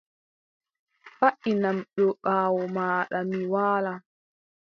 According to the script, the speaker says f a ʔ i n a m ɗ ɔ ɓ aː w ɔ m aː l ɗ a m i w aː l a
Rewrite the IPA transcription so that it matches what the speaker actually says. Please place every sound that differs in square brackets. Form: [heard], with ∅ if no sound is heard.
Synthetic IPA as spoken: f a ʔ i n a m ɗ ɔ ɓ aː w ɔ m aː [∅] ɗ a m i w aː l a